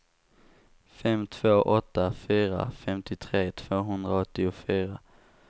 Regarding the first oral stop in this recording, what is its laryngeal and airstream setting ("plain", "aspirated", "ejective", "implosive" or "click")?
aspirated